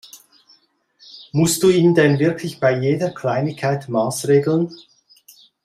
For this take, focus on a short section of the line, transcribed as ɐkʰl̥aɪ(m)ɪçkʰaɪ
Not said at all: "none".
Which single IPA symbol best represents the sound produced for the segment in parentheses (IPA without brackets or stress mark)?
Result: n